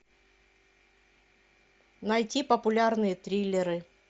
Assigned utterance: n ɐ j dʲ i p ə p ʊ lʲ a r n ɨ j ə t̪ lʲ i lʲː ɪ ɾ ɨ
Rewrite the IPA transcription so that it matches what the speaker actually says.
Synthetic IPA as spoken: n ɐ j tʲ i p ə p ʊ lʲ a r n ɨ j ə t̪ ɾʲ i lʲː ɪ ɾ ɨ

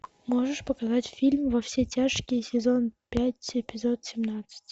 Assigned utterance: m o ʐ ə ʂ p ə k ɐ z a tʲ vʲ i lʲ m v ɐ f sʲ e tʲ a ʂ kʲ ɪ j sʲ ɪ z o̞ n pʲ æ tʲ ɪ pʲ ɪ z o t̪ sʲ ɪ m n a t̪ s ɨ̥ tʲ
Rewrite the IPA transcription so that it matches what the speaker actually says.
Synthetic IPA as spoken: m o ʐ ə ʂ p ə k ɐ z a tʲ fʲ i lʲ m v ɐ f sʲ e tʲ a ʂ kʲ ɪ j sʲ ɪ z o̞ n pʲ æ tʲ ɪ pʲ ɪ z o t̪ sʲ ɪ m n a t̪ s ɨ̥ tʲ

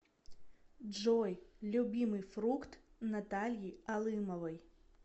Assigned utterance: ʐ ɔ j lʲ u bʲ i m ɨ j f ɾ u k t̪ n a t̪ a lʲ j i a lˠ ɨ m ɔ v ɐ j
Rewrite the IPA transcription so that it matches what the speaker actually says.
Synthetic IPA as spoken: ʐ ɔ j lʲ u bʲ i m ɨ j f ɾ u k t̪ n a t̪ a lʲ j i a lˠ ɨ m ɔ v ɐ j

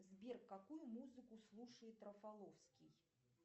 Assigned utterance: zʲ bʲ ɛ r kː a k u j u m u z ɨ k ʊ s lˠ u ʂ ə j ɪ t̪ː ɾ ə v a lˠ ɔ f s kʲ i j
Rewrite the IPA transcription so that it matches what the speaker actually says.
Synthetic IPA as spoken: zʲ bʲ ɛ r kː a k u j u m u z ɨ k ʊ s lˠ u ʂ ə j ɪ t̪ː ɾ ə f a lˠ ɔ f s kʲ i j

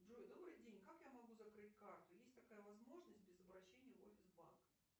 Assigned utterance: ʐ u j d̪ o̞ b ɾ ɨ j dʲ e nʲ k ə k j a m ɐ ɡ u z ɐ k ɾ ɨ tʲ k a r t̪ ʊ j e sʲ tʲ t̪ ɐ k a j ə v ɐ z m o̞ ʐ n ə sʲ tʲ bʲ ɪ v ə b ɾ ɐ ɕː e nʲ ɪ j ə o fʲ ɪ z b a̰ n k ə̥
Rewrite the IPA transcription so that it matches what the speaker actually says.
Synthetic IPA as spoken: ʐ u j d̪ o̞ b ɾ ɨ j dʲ e nʲ k a k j a m ɐ ɡ u z ɐ k ɾ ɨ tʲ k a r t̪ ʊ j e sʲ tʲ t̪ ɐ k a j ə v ɐ z m o̞ ʐ n ə sʲ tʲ bʲ ɪ z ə b ɾ ɐ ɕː e nʲ ɪ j ə o fʲ ɪ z b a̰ n k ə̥

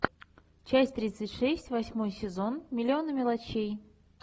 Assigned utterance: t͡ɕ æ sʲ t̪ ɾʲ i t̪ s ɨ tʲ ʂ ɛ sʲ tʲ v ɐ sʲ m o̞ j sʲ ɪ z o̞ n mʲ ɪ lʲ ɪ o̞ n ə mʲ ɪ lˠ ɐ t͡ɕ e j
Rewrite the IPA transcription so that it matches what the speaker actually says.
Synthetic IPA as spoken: t͡ɕ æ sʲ t̪ ɾʲ i t̪ s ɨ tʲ ʂ ɛ sʲ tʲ v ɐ sʲ m o̞ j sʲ ɪ z o̞ n mʲ ɪ lʲ ɪ o̞ n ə mʲ ɪ lˠ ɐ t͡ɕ e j

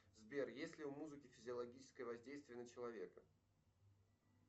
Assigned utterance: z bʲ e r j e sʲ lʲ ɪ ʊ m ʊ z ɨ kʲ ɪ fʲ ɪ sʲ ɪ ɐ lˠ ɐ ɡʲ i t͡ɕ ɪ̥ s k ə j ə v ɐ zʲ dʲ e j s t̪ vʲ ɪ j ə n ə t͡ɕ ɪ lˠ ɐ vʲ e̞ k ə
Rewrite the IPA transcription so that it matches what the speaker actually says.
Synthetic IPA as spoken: z bʲ e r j e sʲ lʲ ɪ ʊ m u z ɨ kʲ ɪ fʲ ɪ zʲ ɪ ɐ lˠ ɐ ɡʲ i t͡ɕ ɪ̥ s k ə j ə v ɐ zʲ dʲ e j s t̪ vʲ ɪ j ə n ə t͡ɕ ɪ lˠ ɐ vʲ e̞ k ə

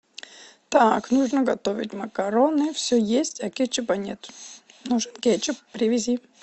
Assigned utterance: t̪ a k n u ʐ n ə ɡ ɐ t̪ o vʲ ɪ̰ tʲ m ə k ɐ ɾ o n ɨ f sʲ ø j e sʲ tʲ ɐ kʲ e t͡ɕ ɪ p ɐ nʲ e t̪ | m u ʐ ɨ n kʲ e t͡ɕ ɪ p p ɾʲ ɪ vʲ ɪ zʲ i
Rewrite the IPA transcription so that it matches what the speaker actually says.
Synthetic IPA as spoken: t̪ a k n u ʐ n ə ɡ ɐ t̪ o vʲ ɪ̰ tʲ m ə k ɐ ɾ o n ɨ f sʲ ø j e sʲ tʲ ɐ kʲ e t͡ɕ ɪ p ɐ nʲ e t̪ | n u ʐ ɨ n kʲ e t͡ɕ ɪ p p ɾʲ ɪ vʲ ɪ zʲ i

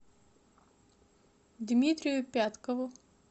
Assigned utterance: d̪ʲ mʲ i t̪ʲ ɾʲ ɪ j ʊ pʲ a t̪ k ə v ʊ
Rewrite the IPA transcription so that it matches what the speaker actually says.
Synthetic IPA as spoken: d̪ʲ mʲ i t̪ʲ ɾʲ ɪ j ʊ pʲ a t̪ k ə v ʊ

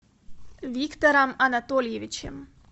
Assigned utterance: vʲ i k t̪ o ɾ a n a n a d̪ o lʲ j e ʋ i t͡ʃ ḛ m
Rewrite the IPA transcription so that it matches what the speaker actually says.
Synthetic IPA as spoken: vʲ i k t̪ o ɾ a m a n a t̪ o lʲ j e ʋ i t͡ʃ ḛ m

